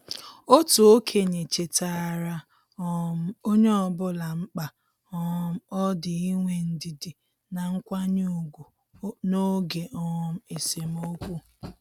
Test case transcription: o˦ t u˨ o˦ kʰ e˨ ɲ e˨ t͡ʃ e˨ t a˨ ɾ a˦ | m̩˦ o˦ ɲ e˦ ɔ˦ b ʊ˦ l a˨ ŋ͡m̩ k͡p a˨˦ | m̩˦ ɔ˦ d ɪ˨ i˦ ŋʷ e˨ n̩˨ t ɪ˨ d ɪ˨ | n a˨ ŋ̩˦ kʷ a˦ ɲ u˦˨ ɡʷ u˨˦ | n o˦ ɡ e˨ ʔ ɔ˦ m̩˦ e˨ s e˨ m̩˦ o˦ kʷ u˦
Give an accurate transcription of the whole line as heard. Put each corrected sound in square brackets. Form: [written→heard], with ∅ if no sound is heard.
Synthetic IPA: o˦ t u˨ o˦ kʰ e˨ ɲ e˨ t͡ʃ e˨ t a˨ ɾ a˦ | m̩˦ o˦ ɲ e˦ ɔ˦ b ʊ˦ l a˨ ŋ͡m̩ k͡p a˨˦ | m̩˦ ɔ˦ d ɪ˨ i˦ ŋʷ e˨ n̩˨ [t→d] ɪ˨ d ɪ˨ | n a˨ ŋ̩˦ kʷ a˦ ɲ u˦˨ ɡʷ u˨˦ | n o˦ ɡ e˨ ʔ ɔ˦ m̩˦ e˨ s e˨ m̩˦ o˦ kʷ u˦